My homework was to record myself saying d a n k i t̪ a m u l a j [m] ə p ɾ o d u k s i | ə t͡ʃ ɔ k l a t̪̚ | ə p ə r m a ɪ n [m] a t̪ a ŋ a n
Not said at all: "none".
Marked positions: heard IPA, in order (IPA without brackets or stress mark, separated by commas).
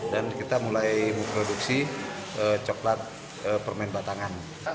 m, b